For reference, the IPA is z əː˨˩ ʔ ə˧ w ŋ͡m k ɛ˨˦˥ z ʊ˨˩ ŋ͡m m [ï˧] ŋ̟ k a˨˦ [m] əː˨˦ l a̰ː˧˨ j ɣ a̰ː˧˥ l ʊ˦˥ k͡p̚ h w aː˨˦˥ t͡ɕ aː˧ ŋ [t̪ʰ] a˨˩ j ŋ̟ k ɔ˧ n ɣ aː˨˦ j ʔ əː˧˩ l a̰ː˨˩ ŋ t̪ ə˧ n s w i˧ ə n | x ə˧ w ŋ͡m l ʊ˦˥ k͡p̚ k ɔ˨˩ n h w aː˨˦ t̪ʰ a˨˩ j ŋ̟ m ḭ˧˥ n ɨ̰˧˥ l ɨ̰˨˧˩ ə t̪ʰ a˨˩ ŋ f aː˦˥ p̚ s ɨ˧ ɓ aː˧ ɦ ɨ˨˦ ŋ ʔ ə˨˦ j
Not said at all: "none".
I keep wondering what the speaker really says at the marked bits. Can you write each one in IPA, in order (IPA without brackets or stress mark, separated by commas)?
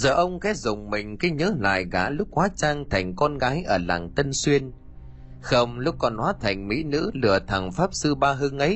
ï˨˩, ɲ, t̪ʰ